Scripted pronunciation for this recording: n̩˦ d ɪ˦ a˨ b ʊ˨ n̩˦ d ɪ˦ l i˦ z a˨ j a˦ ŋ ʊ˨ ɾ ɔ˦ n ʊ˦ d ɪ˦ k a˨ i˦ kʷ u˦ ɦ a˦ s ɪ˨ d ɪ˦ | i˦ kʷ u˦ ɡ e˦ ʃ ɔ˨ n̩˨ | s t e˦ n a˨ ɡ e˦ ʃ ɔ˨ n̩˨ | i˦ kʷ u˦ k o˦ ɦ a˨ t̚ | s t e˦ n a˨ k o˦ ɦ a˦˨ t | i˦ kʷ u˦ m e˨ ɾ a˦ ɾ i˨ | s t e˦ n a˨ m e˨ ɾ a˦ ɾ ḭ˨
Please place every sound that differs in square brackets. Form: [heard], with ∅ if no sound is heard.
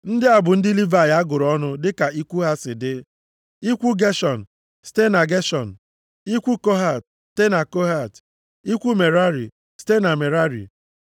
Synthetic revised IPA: n̩˦ d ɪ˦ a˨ b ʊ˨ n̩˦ d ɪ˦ l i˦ [v] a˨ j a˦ [ɡ] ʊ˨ ɾ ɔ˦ n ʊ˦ d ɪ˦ k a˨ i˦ kʷ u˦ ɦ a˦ s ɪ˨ d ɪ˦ | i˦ kʷ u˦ ɡ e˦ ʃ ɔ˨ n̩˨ | s t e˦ n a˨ ɡ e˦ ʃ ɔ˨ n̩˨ | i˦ kʷ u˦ k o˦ ɦ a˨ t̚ | s t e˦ n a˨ k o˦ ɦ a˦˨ t | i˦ kʷ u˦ m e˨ ɾ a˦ ɾ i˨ | s t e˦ n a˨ m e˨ ɾ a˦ ɾ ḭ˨